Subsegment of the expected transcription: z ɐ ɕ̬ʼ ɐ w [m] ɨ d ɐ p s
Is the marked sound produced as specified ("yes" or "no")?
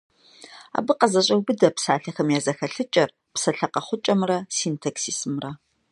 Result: no